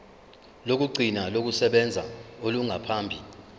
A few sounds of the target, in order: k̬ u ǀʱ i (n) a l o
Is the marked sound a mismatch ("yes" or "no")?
no